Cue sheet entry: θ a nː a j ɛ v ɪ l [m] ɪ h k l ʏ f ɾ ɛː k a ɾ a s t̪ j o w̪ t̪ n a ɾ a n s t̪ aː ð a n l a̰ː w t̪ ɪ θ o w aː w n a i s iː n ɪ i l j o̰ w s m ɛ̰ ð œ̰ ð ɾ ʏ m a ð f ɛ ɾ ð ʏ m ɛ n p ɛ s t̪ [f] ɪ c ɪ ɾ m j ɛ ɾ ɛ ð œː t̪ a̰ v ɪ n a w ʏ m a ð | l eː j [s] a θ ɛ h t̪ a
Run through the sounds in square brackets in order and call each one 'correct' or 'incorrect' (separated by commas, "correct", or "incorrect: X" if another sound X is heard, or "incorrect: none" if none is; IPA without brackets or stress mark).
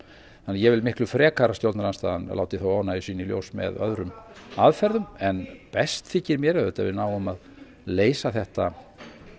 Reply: correct, incorrect: θ, correct